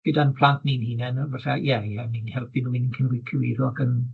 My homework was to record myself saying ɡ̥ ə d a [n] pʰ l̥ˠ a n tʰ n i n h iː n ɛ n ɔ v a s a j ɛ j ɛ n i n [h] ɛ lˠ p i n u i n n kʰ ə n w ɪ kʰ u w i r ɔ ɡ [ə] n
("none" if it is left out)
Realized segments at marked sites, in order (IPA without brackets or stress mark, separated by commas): n, h, ə